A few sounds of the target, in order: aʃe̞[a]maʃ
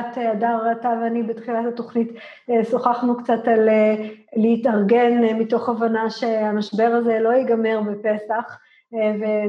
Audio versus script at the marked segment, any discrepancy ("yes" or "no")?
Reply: no